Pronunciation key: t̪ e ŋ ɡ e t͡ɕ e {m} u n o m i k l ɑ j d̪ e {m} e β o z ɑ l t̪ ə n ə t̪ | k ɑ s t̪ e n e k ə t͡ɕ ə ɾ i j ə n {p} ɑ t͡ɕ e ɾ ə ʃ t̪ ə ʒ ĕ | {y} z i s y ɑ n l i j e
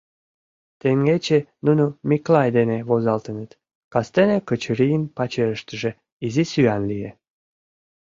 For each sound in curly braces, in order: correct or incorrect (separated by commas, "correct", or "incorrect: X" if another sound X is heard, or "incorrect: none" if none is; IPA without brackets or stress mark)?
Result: incorrect: n, incorrect: n, correct, incorrect: i